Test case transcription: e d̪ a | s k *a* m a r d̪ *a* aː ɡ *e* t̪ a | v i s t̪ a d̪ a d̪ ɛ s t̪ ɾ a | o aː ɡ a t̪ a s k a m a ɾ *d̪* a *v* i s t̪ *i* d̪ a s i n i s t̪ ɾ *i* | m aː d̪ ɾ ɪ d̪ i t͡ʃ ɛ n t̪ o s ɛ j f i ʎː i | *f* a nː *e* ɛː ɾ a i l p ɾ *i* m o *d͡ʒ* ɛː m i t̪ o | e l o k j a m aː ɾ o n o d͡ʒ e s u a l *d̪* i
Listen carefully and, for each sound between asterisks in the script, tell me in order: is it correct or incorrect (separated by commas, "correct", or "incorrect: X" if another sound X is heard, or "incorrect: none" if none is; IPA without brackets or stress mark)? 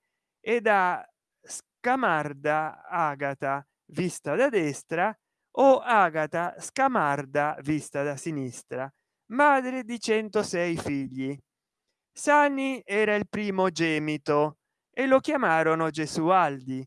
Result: correct, correct, incorrect: a, correct, correct, incorrect: a, incorrect: a, incorrect: s, incorrect: i, incorrect: iː, correct, correct